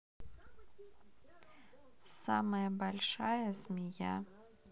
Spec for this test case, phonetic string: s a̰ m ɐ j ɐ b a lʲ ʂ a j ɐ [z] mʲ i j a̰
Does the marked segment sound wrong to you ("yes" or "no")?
no